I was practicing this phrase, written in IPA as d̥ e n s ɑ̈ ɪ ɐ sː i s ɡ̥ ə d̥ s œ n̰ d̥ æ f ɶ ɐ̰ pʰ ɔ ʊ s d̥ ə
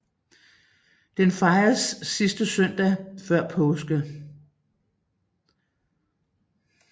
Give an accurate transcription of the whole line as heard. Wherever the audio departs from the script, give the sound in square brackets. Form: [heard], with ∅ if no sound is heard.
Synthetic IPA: d̥ e n [f] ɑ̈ ɪ ɐ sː i s [d̥] ə [∅] s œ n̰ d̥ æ f ɶ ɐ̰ pʰ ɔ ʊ s [ɡ̥] ə